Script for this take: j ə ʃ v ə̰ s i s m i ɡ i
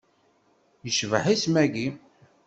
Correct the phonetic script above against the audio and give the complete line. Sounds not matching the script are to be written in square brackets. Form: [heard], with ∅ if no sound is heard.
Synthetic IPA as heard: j ə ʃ v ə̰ [ħ] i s m [æ] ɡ i